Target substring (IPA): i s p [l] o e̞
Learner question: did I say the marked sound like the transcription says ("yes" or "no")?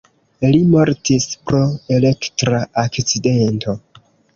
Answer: no